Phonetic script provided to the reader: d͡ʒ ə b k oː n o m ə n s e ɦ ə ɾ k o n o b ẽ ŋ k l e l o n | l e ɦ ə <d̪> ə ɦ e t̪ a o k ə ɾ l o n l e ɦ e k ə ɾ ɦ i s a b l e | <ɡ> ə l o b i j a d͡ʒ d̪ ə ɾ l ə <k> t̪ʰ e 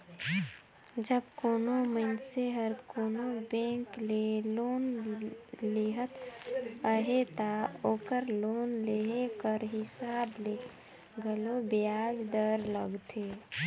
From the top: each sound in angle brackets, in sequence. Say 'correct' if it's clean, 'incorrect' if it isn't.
incorrect: t̪, correct, incorrect: ɡ

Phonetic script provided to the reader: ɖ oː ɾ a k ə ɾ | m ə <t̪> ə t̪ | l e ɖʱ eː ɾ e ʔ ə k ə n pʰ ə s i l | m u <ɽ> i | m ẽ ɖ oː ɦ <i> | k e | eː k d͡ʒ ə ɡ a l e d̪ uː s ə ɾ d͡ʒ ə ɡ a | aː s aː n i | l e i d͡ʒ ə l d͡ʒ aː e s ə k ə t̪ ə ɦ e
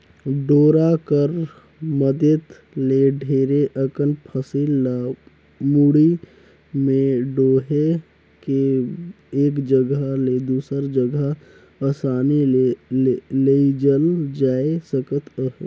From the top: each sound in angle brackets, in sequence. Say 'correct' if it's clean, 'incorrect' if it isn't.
incorrect: d̪, correct, incorrect: e

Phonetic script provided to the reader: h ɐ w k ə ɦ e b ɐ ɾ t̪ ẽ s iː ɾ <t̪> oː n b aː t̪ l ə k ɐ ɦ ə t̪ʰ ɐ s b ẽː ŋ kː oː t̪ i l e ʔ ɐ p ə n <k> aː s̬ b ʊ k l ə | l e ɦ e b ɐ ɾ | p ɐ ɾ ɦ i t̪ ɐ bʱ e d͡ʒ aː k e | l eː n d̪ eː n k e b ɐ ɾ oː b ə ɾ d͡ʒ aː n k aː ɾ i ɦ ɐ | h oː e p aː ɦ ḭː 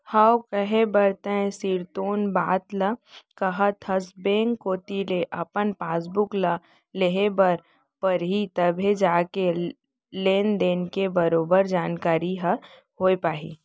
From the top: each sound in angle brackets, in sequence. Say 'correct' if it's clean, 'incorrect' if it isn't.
correct, incorrect: p

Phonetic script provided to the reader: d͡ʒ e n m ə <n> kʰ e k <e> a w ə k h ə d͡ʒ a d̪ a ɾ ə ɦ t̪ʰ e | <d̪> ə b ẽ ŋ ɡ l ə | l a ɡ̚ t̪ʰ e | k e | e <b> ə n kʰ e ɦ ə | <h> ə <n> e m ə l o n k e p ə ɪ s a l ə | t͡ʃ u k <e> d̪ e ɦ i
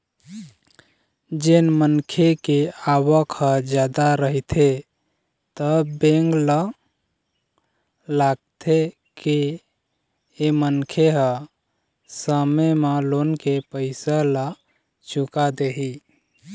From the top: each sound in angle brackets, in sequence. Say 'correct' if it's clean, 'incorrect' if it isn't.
correct, correct, incorrect: t̪, incorrect: m, incorrect: s, incorrect: m, incorrect: a

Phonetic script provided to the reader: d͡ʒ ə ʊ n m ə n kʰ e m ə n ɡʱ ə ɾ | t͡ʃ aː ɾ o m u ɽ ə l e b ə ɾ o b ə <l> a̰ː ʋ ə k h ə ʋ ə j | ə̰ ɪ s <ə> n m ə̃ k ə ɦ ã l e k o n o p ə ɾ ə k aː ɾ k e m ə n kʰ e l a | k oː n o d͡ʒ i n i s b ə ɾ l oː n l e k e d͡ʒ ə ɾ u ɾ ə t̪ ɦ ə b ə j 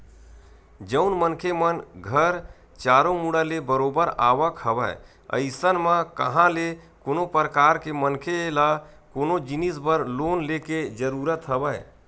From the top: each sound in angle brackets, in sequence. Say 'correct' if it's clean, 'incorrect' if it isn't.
incorrect: ɾ, correct

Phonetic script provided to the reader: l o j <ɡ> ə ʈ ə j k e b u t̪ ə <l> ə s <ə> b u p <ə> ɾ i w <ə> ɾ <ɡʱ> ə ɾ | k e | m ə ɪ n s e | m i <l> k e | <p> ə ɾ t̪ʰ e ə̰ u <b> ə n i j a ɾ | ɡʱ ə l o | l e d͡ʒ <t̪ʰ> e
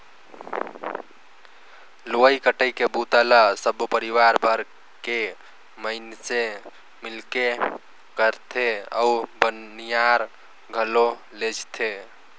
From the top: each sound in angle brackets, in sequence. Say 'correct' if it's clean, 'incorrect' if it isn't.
incorrect: k, correct, correct, correct, incorrect: a, incorrect: bʱ, correct, incorrect: k, correct, correct

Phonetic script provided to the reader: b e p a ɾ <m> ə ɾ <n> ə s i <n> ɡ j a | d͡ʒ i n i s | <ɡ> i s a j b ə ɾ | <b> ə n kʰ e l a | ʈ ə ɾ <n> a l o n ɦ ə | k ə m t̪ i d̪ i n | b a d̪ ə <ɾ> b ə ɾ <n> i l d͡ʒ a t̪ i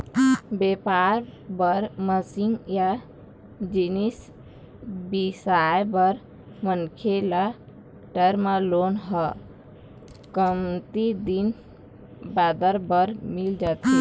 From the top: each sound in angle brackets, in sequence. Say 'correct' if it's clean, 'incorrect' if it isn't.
incorrect: b, incorrect: m, incorrect: ŋ, incorrect: b, incorrect: m, incorrect: m, correct, incorrect: m

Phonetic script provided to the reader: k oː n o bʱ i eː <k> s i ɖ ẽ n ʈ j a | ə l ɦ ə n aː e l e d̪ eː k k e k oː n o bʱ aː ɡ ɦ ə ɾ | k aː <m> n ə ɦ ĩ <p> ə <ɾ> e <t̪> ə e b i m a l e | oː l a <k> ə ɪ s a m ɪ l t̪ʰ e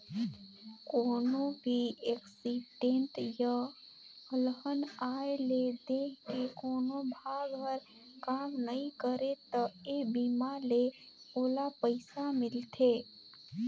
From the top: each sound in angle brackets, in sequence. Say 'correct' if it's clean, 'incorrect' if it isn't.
correct, correct, incorrect: k, correct, correct, incorrect: p

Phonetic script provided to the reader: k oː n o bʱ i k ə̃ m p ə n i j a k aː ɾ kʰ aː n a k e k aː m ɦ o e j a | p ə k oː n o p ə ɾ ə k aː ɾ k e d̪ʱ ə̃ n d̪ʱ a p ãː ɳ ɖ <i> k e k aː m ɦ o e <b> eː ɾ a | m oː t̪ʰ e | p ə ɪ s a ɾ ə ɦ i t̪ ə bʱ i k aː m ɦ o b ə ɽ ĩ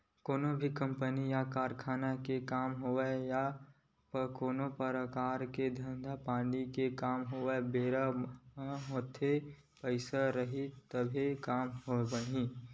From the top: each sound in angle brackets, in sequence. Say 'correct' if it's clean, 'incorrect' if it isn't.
correct, correct

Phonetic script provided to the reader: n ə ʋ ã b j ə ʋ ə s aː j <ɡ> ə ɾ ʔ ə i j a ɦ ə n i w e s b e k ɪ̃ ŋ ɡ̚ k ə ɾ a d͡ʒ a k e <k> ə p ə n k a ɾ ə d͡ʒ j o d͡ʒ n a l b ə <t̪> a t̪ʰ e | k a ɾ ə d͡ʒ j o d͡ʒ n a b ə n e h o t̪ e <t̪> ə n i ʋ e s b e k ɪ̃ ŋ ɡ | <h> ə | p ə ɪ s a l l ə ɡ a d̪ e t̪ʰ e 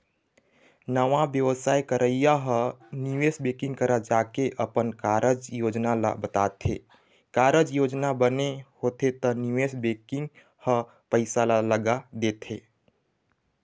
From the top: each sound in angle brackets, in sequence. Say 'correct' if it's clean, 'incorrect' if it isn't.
incorrect: k, incorrect: ʔ, correct, correct, correct

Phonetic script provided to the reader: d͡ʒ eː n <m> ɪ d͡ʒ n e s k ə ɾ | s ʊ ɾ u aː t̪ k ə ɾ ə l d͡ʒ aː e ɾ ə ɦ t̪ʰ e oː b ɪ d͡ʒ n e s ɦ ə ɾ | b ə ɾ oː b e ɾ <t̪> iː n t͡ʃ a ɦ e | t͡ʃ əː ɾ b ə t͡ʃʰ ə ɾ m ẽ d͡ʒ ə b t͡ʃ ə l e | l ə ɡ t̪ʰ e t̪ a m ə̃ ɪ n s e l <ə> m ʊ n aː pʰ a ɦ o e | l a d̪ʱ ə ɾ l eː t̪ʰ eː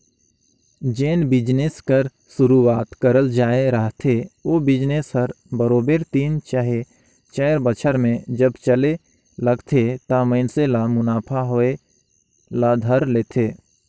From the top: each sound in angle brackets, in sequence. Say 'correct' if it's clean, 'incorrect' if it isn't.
incorrect: b, correct, incorrect: a

